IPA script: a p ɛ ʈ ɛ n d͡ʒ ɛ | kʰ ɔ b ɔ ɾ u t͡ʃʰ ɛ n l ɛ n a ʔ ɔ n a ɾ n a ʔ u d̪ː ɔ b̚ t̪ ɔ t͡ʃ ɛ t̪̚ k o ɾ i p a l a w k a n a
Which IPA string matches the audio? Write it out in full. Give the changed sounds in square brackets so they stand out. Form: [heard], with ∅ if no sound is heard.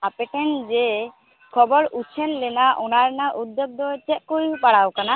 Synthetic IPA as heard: a p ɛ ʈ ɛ n d͡ʒ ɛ | kʰ ɔ b ɔ ɾ u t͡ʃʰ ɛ n l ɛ n a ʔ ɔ n a ɾ n a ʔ u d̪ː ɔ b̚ [d̪] ɔ t͡ʃ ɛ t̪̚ k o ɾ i p a [ɽ] a w k a n a